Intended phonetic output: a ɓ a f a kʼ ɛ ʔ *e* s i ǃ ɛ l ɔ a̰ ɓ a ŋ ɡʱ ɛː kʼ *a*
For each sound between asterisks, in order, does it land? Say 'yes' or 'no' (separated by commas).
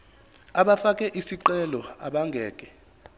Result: no, no